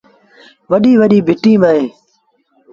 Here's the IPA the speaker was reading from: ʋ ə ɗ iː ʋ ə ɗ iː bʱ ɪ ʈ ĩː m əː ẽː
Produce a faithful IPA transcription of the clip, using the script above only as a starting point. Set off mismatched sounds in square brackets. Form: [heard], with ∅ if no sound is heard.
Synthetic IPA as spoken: ʋ ə ɗ iː ʋ ə ɗ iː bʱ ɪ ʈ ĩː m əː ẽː